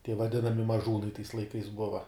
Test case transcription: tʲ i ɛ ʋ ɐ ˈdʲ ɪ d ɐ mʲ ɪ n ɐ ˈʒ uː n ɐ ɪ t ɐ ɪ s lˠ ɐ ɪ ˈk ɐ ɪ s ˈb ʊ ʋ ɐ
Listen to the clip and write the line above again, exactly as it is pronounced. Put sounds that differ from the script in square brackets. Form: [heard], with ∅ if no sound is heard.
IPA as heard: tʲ i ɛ ʋ ɐ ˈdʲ ɪ [n] ɐ mʲ ɪ [m] ɐ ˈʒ uː n ɐ ɪ t ɐ ɪ s lˠ ɐ ɪ ˈk ɐ ɪ s ˈb ʊ ʋ ɐ